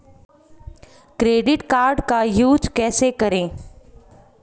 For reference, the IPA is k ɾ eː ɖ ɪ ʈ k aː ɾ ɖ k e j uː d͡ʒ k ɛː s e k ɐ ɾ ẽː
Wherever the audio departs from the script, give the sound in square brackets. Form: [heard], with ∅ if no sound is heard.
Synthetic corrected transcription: k ɾ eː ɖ ɪ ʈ k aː ɾ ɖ k [a] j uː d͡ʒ k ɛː s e k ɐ ɾ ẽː